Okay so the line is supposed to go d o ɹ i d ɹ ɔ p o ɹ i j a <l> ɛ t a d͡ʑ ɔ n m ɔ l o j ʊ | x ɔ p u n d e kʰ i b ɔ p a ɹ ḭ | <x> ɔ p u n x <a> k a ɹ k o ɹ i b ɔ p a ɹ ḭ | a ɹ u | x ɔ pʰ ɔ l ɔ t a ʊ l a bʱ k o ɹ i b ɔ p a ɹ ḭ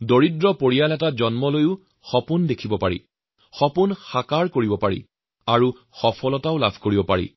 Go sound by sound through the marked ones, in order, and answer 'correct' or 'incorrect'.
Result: correct, correct, correct

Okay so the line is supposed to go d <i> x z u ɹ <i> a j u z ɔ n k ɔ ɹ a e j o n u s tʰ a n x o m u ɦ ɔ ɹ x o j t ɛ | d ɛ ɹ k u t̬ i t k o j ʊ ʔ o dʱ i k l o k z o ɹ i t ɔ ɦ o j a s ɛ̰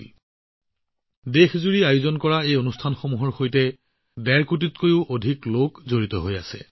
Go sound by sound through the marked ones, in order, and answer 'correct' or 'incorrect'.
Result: incorrect: e, correct

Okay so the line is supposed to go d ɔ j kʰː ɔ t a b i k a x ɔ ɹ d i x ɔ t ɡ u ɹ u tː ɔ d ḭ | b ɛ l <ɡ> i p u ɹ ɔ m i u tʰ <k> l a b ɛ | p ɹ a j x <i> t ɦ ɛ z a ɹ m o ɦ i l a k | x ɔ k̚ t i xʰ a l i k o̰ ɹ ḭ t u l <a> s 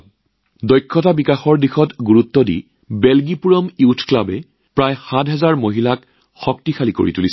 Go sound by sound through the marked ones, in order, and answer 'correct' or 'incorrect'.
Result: correct, correct, incorrect: a, incorrect: i

